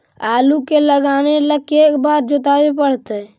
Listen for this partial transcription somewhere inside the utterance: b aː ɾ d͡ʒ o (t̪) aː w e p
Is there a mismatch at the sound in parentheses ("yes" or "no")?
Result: no